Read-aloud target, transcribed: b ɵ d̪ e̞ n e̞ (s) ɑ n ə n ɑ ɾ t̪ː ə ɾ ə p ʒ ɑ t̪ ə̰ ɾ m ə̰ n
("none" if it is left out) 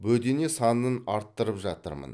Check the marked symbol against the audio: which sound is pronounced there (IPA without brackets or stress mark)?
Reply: s